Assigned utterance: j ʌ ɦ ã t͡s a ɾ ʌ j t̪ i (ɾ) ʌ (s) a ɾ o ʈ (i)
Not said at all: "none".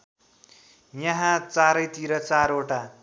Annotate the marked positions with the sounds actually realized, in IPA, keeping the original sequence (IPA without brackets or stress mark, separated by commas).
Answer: ɾ, t͡s, a